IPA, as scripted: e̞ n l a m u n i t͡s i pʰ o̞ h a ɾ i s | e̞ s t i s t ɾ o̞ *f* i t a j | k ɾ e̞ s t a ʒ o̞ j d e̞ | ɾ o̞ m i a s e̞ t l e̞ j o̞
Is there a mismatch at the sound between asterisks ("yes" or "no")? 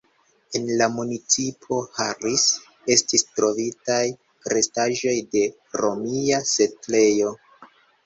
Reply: yes